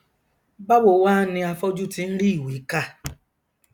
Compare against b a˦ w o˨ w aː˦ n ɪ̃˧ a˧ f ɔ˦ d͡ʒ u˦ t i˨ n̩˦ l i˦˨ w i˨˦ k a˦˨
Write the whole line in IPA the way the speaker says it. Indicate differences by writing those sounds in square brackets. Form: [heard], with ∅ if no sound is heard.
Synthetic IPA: b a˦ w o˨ w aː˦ n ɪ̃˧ a˧ f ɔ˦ d͡ʒ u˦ t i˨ n̩˦ [ɾ] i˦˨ w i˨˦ k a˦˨